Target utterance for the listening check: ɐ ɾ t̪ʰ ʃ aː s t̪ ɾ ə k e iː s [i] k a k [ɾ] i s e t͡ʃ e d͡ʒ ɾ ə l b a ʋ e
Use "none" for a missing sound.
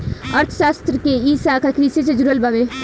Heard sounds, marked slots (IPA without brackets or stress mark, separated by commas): a, ɾ